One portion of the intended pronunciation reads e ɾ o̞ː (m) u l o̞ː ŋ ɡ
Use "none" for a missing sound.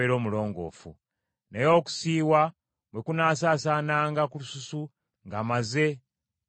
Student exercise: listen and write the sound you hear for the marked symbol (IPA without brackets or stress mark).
m